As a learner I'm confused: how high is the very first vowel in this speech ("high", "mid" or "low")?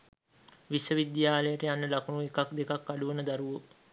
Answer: high